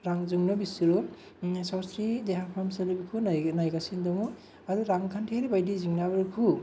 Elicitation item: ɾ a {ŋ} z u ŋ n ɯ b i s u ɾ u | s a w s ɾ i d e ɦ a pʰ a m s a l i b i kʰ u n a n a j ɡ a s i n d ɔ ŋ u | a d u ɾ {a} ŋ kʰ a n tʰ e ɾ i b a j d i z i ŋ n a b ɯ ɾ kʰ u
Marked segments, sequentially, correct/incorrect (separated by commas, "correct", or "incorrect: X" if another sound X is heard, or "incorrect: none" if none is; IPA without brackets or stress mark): correct, correct